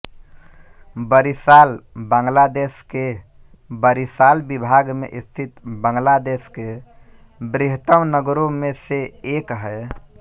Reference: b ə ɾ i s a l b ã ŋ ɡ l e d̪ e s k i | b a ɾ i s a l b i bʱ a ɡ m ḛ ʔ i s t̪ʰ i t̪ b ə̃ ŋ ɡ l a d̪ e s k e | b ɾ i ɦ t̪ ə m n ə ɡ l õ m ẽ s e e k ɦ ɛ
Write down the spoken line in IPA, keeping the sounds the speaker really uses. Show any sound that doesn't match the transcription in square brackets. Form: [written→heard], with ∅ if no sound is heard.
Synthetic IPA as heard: b ə ɾ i s a l b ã ŋ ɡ l [e→a] d̪ e s k [i→e] | b [a→ə] ɾ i s a l b i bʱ a ɡ m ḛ ʔ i s t̪ʰ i t̪ b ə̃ ŋ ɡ l a d̪ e s k e | b ɾ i ɦ t̪ ə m n ə ɡ [l→ɾ] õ m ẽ s e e k ɦ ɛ